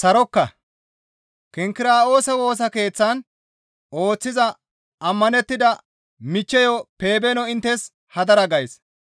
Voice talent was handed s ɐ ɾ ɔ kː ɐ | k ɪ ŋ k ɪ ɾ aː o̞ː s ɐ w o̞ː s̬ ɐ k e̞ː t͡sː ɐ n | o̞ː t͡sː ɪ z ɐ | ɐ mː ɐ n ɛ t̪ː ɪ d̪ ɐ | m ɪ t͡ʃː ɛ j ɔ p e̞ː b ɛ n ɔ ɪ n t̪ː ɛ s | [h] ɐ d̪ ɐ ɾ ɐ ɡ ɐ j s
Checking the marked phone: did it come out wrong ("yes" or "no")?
no